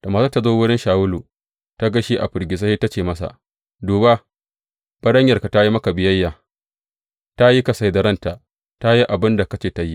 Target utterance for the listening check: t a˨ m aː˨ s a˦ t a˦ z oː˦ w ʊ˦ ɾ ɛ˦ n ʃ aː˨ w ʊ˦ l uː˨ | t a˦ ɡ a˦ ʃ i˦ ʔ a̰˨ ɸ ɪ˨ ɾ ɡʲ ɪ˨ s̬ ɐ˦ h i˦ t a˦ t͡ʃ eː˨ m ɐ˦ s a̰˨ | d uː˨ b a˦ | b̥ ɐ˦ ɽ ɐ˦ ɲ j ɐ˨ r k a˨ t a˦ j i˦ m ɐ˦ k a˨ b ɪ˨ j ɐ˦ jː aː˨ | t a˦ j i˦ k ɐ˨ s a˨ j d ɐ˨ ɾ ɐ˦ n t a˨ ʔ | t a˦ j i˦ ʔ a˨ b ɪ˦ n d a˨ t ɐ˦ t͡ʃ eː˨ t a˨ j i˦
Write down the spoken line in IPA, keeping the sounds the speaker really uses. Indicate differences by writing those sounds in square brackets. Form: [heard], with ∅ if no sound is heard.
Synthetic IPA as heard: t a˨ m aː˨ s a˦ t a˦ z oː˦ w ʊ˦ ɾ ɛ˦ n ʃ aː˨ w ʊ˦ l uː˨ | t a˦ ɡ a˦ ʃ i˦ ʔ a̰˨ ɸ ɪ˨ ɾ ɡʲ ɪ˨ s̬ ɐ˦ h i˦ t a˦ t͡ʃ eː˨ m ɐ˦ s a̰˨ | d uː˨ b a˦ | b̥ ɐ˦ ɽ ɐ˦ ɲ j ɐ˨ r k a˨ t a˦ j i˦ m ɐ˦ k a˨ b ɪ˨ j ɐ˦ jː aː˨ | t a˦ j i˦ k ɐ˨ s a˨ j d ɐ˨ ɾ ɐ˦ n t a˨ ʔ | t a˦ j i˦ ʔ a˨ b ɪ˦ n d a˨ [k] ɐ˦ t͡ʃ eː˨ t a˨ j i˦